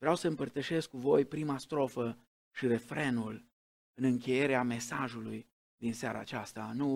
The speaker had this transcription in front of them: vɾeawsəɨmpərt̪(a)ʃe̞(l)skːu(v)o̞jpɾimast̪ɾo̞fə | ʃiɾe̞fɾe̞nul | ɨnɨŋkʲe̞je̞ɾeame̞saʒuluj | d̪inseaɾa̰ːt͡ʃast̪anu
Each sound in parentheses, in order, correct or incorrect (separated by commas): incorrect, incorrect, correct